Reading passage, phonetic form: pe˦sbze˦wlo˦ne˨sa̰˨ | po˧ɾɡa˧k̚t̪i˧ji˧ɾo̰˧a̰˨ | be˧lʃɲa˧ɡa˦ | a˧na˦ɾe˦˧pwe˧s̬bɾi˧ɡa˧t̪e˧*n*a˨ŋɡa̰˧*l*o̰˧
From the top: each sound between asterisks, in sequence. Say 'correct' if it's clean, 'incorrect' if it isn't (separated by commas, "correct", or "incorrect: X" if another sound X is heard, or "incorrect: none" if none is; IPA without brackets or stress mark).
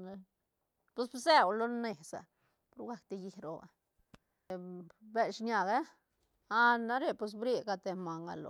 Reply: incorrect: m, correct